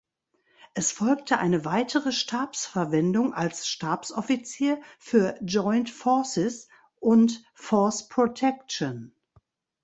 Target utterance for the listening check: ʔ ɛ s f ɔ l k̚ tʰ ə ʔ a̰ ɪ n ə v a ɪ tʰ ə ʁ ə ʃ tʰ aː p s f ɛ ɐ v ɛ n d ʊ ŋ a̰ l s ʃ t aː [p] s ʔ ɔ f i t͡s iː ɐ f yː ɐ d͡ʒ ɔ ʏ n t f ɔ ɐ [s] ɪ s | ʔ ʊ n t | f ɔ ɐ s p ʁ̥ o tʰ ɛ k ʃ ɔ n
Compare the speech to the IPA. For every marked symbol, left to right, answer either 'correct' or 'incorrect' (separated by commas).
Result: correct, correct